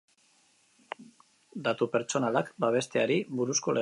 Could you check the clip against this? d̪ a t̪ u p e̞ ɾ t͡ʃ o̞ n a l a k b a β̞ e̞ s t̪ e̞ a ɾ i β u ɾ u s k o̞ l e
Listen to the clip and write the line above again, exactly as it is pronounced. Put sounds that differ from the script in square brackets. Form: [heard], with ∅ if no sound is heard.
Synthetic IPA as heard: d̪ a t̪ u p e̞ ɾ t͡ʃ o̞ n a l a k b a β̞ e̞ s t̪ e̞ a ɾ i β u ɾ u s k o̞ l e